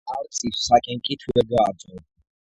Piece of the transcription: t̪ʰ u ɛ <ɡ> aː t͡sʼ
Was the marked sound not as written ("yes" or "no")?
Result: no